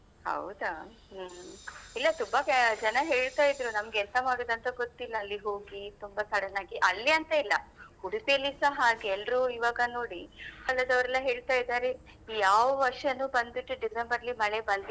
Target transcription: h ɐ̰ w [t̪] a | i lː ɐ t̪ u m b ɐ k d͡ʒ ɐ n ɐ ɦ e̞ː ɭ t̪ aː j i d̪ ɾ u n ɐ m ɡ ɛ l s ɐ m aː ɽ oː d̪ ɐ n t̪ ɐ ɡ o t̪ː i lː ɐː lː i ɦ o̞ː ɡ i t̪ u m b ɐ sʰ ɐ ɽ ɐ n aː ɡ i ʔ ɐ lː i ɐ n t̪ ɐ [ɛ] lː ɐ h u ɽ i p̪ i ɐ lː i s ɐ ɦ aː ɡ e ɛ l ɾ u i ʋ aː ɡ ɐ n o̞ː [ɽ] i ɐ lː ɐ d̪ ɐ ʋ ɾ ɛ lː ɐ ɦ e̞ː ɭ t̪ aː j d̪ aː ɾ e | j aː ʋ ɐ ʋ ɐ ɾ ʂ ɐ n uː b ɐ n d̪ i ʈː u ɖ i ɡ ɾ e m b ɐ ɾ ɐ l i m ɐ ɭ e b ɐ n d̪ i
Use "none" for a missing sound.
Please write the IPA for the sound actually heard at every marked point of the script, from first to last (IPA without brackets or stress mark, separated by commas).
d̪, i, ɽ